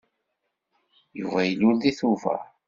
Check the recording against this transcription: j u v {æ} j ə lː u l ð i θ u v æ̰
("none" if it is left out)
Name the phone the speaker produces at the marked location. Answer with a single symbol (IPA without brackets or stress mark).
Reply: æ